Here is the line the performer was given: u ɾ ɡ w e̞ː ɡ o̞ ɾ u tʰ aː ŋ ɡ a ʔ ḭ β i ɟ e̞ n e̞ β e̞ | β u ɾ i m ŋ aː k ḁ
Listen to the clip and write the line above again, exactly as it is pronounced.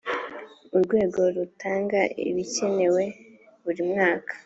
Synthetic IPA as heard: u ɾ ɡ w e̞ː ɡ o̞ ɾ u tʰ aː ŋ ɡ a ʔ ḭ β i c e̞ n e̞ w e̞ | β u ɾ i m ŋ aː k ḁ